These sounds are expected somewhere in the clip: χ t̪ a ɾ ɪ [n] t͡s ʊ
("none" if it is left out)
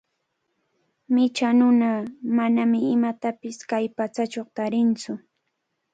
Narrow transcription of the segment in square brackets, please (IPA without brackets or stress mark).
n